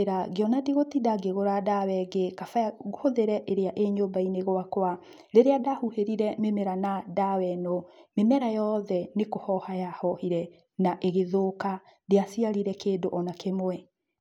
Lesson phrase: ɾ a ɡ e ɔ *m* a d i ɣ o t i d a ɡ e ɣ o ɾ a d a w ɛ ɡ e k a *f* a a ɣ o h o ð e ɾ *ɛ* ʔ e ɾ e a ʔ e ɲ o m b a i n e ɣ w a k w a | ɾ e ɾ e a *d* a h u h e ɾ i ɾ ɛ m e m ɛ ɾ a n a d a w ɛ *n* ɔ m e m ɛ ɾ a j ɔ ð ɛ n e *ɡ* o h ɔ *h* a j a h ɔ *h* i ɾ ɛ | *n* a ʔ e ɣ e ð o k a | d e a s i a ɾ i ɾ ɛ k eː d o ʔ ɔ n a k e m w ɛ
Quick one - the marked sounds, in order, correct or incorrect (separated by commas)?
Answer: incorrect, correct, correct, correct, correct, incorrect, correct, correct, correct